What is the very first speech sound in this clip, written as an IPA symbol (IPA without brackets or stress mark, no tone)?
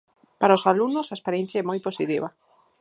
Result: p